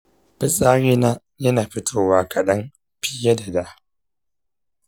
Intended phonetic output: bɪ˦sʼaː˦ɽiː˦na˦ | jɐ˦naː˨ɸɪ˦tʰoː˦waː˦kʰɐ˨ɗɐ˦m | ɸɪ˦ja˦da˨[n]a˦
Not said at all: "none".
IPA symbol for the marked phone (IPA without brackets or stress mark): d